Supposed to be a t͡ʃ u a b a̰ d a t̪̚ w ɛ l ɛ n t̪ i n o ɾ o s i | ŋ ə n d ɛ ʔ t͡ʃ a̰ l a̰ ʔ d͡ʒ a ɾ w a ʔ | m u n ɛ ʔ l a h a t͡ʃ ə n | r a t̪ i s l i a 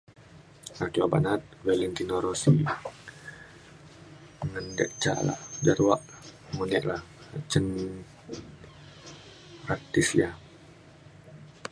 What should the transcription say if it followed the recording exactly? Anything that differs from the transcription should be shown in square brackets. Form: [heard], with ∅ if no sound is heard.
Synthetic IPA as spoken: a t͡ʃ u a b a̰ [n] a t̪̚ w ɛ l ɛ n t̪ i n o ɾ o s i | ŋ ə n d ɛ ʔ t͡ʃ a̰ l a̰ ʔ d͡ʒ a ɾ w a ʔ | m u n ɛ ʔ l a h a t͡ʃ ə n | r a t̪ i s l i a